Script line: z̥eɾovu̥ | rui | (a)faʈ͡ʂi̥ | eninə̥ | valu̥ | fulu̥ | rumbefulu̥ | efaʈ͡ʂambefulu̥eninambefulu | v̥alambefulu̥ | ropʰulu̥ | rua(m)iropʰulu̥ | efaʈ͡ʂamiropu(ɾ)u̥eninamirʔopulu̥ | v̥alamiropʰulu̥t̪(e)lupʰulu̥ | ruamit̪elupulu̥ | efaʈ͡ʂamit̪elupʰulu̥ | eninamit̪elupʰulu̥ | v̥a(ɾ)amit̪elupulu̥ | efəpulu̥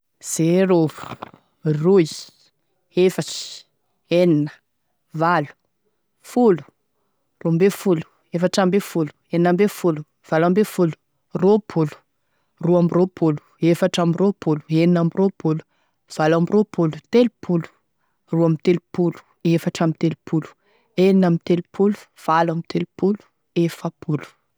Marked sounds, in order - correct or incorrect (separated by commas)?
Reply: incorrect, correct, incorrect, correct, incorrect